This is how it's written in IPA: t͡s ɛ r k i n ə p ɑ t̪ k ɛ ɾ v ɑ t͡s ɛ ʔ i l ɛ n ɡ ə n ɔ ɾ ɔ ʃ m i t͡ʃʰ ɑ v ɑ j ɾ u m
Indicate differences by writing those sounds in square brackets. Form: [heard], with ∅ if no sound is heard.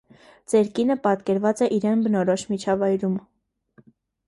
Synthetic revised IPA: t͡s ɛ [ɾ] k i n ə p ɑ t̪ k ɛ ɾ v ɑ t͡s ɛ ʔ i [ɾ] ɛ n [b] ə n ɔ ɾ ɔ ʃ m i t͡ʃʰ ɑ v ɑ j ɾ u m